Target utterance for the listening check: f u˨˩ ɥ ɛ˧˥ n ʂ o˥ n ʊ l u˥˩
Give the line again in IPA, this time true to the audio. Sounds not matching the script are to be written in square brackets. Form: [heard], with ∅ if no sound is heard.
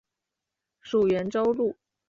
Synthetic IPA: [ʂ] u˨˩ ɥ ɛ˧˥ n [ʈ͡ʂ] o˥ [∅] ʊ l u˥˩